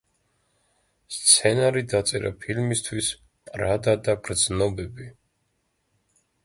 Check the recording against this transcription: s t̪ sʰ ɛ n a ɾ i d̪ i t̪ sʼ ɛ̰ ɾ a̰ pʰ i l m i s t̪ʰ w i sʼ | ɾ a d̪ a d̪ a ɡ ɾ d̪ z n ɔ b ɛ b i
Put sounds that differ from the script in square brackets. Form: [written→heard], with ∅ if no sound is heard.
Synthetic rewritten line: s t̪ sʰ ɛ n a ɾ i d̪ [i→a] t̪ sʼ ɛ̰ ɾ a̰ pʰ i l m i s t̪ʰ w i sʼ | ɾ a d̪ a d̪ a ɡ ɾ d̪ z n ɔ b ɛ b i